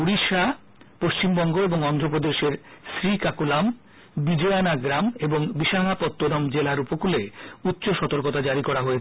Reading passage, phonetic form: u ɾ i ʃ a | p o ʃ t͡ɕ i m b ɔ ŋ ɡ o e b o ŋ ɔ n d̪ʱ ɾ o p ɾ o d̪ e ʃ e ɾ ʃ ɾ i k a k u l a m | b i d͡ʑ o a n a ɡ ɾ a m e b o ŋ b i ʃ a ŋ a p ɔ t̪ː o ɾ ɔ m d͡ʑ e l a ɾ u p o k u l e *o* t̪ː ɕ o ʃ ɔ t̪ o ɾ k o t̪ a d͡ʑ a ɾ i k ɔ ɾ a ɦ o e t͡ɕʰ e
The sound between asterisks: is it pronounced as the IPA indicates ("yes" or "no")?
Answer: no